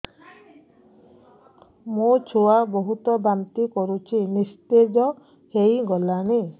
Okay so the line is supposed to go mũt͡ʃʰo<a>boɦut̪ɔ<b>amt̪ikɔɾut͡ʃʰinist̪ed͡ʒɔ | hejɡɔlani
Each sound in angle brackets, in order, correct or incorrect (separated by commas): correct, correct